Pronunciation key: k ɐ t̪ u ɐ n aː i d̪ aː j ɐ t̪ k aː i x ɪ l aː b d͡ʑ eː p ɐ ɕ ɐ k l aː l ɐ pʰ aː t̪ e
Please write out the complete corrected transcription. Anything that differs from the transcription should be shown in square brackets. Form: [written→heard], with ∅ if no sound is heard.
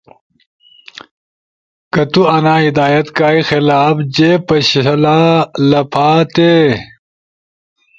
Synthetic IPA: k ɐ t̪ u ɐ n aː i d̪ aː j ɐ t̪ k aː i x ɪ l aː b d͡ʑ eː p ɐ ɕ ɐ [k→∅] l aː l ɐ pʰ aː t̪ e